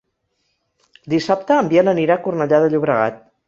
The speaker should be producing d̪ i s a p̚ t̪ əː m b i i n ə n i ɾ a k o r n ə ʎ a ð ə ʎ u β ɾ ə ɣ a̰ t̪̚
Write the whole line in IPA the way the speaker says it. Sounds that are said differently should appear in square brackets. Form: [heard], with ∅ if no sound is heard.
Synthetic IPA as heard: d̪ i s a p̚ t̪ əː m b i [e] n ə n i ɾ a k [u] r n ə ʎ a ð ə ʎ u β ɾ ə ɣ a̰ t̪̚